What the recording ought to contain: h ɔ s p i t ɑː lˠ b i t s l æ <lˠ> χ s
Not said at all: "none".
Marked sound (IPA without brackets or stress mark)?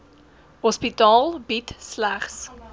none